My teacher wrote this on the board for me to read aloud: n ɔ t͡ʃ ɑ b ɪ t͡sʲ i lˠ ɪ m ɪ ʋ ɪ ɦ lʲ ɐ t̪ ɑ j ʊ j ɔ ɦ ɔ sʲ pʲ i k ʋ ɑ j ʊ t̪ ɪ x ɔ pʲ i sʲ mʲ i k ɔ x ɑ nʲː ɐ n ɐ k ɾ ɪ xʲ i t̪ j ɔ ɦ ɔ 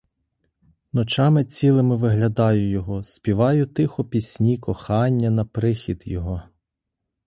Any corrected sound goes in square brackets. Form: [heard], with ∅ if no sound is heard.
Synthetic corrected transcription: n ɔ t͡ʃ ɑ [m] ɪ t͡sʲ i lˠ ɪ m ɪ ʋ ɪ ɦ lʲ ɐ [d̪] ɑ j ʊ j ɔ ɦ ɔ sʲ pʲ i [∅] ʋ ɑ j ʊ t̪ ɪ x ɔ pʲ i sʲ [nʲ] i k ɔ x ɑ nʲː ɐ n ɐ [p] ɾ ɪ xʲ i [d̪] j ɔ ɦ ɔ

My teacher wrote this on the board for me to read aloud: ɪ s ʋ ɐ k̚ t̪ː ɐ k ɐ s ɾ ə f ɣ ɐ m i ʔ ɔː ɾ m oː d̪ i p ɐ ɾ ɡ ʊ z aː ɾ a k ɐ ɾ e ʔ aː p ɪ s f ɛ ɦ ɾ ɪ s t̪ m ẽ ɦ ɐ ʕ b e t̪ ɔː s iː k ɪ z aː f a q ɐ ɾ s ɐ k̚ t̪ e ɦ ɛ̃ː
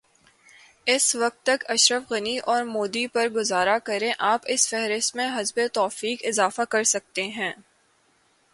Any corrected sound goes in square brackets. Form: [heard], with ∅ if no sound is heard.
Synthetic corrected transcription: ɪ s ʋ ɐ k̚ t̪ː ɐ k ɐ [ʃ] ɾ ə f ɣ ɐ [n] i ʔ ɔː ɾ m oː d̪ i p ɐ ɾ ɡ ʊ z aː ɾ a k ɐ ɾ [ẽ] ʔ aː p ɪ s f ɛ ɦ ɾ ɪ s t̪ m ẽ ɦ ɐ [z] b e t̪ ɔː [f] iː k ɪ z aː f a [k] ɐ ɾ s ɐ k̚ t̪ e ɦ ɛ̃ː

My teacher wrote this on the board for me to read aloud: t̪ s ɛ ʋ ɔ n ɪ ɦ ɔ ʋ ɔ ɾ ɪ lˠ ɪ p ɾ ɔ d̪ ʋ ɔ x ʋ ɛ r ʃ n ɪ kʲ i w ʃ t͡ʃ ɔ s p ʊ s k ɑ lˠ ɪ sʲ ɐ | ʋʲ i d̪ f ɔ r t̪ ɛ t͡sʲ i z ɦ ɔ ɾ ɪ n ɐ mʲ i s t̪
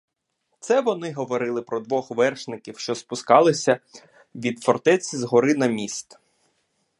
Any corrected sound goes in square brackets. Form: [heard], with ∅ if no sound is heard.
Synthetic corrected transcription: t̪ s ɛ ʋ ɔ n ɪ ɦ ɔ ʋ ɔ ɾ ɪ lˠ ɪ p ɾ ɔ d̪ ʋ ɔ x ʋ ɛ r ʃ n ɪ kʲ i w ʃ t͡ʃ ɔ s p ʊ s k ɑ lˠ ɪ sʲ ɐ | ʋʲ i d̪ f ɔ r t̪ ɛ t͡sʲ i z ɦ ɔ ɾ ɪ n ɐ mʲ i s t̪

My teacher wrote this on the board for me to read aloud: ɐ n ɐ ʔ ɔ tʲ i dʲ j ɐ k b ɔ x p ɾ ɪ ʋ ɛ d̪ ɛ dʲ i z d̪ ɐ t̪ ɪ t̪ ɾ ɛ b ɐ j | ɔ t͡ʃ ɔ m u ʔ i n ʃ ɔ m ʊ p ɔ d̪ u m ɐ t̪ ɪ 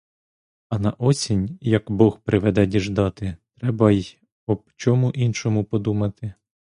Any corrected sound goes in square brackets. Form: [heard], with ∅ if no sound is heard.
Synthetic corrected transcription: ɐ n ɐ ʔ ɔ [sʲ] i [nʲ] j ɐ k b ɔ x p ɾ ɪ ʋ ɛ d̪ ɛ dʲ i [ʒ] d̪ [ɑ] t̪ ɪ t̪ ɾ ɛ b ɐ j | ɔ t͡ʃ ɔ m u ʔ i n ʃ ɔ m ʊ p ɔ d̪ u m ɐ t̪ ɪ

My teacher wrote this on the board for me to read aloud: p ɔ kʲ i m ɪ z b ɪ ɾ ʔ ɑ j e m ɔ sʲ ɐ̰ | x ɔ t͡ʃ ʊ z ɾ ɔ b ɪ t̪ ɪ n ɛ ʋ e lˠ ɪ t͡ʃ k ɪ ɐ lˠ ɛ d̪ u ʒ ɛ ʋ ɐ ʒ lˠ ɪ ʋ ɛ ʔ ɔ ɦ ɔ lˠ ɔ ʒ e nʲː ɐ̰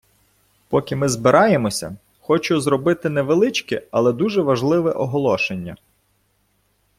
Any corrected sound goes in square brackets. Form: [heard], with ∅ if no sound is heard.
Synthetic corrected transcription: p ɔ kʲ [ɪ] m ɪ z b ɪ ɾ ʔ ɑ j e m ɔ sʲ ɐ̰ | x ɔ t͡ʃ ʊ z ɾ ɔ b ɪ t̪ ɪ n ɛ ʋ e lˠ ɪ t͡ʃ k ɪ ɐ lˠ ɛ d̪ u ʒ ɛ ʋ ɐ ʒ lˠ ɪ ʋ ɛ ʔ ɔ ɦ ɔ lˠ ɔ [ʃ] e nʲː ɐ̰

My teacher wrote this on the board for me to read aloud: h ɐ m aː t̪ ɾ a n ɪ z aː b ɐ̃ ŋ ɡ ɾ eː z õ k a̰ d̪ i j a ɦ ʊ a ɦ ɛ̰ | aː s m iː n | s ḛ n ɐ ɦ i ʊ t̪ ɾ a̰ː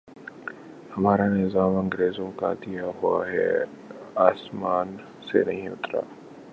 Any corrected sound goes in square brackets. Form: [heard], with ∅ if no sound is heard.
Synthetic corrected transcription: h ɐ m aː [∅] ɾ a n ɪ z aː [m] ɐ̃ ŋ ɡ ɾ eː z õ k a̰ d̪ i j a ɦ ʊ a ɦ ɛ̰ | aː s m [aː] n | s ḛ n ɐ ɦ [ĩ] ʊ t̪ ɾ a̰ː

